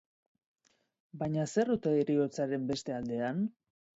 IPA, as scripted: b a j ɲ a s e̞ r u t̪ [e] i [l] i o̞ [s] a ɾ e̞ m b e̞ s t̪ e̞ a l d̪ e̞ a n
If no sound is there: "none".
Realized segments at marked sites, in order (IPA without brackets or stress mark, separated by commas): e, ɾ, t͡s